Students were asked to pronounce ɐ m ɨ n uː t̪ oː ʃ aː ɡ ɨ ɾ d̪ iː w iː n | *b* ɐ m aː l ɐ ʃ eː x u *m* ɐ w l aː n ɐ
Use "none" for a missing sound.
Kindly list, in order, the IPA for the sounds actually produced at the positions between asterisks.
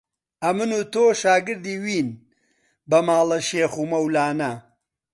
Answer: b, m

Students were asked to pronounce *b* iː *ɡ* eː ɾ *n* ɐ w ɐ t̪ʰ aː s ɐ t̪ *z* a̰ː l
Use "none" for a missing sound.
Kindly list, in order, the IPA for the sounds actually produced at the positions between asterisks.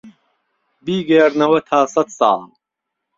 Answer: b, ɡ, n, s

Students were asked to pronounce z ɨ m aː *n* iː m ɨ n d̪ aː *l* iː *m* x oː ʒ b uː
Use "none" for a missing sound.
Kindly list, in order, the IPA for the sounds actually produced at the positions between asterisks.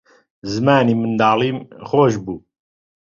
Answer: n, l, m

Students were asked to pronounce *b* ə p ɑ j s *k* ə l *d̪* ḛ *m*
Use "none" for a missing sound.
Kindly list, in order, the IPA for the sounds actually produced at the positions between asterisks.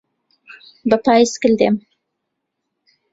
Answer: b, k, d̪, m

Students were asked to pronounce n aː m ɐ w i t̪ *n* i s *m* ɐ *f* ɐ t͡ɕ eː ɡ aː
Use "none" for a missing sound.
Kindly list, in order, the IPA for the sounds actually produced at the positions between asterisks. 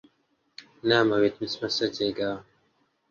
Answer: m, m, s

